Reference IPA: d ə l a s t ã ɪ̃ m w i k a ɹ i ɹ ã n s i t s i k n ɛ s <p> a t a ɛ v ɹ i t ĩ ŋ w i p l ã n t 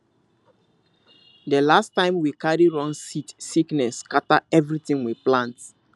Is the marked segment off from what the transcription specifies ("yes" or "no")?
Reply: yes